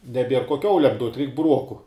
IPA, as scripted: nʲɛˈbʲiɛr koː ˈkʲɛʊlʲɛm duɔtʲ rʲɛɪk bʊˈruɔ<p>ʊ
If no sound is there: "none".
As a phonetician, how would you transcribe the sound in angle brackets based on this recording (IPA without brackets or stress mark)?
k